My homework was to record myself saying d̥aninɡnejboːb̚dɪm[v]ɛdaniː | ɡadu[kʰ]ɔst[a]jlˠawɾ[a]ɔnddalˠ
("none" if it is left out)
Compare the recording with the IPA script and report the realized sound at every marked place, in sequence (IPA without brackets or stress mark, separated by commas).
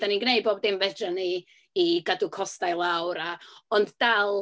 v, kʰ, a, a